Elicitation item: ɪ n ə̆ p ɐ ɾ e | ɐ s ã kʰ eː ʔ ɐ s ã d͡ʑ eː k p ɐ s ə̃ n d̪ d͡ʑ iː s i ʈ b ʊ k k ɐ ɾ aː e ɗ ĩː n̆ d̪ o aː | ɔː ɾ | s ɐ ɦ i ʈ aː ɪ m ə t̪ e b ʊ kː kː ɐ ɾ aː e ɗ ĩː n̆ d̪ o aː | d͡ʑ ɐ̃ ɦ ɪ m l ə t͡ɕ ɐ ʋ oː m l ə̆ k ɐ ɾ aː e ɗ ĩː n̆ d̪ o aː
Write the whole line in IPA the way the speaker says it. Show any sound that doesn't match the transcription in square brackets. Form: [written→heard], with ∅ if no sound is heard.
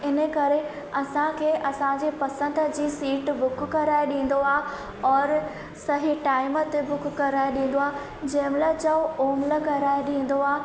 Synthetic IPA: ɪ n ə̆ [p→k] ɐ ɾ e | ɐ s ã kʰ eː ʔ ɐ s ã d͡ʑ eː [k→∅] p ɐ s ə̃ n d̪ d͡ʑ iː s [i→iː] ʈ b ʊ k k ɐ ɾ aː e ɗ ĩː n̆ d̪ o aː | ɔː ɾ | s ɐ ɦ i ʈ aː ɪ m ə t̪ e b ʊ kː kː ɐ ɾ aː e ɗ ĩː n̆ d̪ o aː | d͡ʑ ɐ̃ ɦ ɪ m l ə t͡ɕ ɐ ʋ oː m l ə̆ k ɐ ɾ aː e ɗ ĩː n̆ d̪ o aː